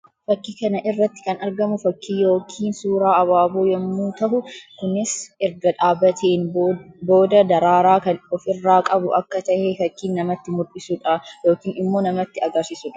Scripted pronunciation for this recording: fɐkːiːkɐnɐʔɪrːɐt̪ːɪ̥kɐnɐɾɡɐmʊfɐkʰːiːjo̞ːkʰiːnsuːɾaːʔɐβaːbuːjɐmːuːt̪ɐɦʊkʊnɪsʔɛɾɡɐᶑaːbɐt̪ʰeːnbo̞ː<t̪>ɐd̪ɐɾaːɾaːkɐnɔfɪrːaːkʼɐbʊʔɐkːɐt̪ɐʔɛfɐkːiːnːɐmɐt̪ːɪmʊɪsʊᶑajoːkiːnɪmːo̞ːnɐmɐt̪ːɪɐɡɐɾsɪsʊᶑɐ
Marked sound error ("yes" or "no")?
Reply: yes